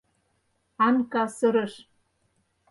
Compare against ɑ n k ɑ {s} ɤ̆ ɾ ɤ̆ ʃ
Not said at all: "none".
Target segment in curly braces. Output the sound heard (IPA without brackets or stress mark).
s